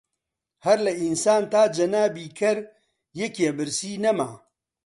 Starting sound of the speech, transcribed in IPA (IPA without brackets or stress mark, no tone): h